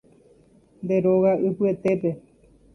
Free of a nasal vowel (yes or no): yes